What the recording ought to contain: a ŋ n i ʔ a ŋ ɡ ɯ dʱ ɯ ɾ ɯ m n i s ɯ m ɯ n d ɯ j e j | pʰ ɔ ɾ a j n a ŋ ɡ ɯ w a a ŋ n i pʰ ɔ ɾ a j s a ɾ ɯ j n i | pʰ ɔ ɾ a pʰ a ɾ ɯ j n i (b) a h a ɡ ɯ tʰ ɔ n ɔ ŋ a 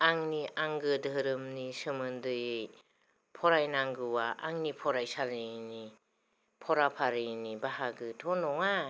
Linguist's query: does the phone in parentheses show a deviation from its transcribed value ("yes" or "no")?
no